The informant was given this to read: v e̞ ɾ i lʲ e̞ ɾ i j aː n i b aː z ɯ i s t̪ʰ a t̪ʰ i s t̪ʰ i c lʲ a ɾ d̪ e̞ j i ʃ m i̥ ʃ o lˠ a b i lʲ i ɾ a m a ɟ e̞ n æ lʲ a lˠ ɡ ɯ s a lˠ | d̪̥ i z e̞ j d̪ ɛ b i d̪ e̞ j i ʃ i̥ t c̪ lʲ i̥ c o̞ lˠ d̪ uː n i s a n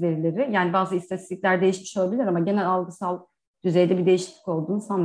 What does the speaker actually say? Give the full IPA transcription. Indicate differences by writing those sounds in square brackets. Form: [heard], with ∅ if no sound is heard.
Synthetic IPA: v e̞ ɾ i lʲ e̞ ɾ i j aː n i b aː z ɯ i s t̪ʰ a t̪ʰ i s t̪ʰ i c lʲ [æ] ɾ d̪ e̞ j i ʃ m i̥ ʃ o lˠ a b i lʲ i ɾ a m a ɟ e̞ n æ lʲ a lˠ ɡ ɯ s a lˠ | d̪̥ [y] z e̞ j d̪ ɛ b i d̪ e̞ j i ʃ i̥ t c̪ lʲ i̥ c o̞ lˠ d̪ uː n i s a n